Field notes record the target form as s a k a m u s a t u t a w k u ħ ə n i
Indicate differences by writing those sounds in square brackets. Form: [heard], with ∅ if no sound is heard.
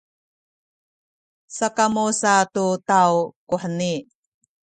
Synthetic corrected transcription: s a k a m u s a t u t a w k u ħ ə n i

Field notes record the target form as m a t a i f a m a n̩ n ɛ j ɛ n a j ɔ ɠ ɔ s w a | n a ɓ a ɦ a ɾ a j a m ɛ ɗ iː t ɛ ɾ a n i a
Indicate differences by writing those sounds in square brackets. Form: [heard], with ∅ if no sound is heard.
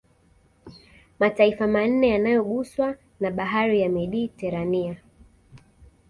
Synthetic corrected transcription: m a t a i f a m a n̩ n ɛ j [a] n a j ɔ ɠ [u] s w a | n a ɓ a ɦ a ɾ [i] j a m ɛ ɗ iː t ɛ ɾ a n i a

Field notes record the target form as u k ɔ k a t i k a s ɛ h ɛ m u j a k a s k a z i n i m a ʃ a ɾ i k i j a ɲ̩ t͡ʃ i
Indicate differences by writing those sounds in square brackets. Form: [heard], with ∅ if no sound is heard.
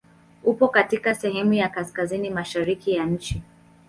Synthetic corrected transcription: u [p] ɔ k a t i k a s ɛ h ɛ m u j a k a s k a z i n i m a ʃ a ɾ i k i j a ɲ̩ t͡ʃ i

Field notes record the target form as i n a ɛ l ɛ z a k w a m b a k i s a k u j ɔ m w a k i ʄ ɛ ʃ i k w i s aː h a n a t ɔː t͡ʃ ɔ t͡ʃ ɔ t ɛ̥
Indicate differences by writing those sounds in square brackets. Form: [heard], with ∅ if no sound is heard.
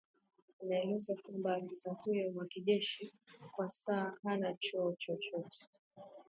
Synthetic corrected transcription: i n a ɛ l ɛ z a k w a m b a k i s a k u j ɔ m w a k i ʄ ɛ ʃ i k w [a] s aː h a n a [t͡ʃ] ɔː t͡ʃ ɔ t͡ʃ ɔ t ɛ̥

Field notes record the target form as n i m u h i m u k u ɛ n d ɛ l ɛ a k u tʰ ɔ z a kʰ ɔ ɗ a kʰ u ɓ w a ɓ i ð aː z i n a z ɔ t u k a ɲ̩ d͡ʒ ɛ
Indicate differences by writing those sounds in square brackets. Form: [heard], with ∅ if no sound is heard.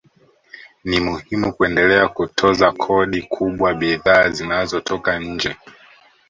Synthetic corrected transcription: n i m u h i m u k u ɛ n d ɛ l ɛ a k u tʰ ɔ z a kʰ ɔ ɗ [i] kʰ u ɓ w a ɓ i ð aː z i n a z ɔ t [ɔ] k a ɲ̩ d͡ʒ ɛ

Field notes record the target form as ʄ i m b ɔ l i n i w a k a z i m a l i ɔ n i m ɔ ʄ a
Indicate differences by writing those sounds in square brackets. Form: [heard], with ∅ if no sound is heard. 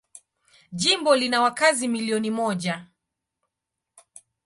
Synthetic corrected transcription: ʄ i m b ɔ l i n [a] w a k a z i m [i] l i ɔ n i m ɔ ʄ a

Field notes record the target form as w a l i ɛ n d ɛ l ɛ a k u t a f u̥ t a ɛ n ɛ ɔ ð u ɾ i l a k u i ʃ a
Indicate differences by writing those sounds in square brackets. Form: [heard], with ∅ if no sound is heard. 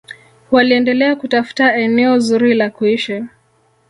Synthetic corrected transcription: w a l i ɛ n d ɛ l ɛ a k u t a f u̥ t a ɛ n ɛ ɔ [z] u ɾ i l a k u i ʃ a

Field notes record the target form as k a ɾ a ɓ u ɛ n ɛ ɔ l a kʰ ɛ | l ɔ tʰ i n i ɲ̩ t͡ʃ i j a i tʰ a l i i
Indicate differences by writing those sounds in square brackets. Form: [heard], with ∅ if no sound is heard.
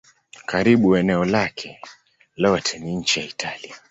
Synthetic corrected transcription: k a ɾ [i] ɓ u ɛ n ɛ ɔ l a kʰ ɛ | l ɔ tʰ [ɛ] n i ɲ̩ t͡ʃ i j a i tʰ a l i [a]

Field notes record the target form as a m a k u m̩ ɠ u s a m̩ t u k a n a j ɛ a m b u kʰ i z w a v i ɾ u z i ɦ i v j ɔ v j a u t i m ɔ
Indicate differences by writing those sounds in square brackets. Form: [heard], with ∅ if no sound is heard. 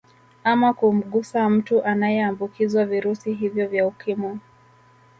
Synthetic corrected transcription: a m a k u m̩ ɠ u s a m̩ t u [ʔ] a n a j ɛ a m b u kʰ i z w a v i ɾ u [s] i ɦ i v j ɔ v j a u [k] i m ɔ

